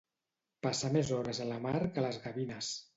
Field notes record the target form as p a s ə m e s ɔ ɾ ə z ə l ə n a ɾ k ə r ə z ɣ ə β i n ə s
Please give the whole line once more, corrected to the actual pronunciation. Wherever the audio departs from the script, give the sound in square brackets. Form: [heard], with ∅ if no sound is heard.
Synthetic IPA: p a s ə m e [z] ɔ ɾ ə z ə l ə [m] a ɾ k ə [l] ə z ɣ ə β i n ə s